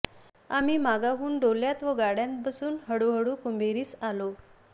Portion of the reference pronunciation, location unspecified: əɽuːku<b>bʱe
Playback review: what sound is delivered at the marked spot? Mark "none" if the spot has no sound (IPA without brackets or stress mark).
m